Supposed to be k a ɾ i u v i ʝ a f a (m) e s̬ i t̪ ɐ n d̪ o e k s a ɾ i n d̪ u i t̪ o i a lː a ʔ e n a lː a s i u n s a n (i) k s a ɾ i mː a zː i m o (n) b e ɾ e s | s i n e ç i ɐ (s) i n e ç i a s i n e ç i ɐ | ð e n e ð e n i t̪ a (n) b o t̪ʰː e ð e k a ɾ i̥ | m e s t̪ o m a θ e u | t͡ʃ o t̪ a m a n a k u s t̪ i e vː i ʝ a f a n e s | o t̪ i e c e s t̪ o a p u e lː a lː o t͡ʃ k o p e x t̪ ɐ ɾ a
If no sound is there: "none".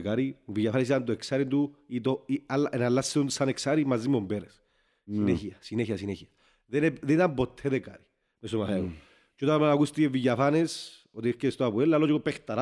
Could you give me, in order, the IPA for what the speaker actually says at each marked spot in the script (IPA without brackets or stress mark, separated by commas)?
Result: n, e, m, s, m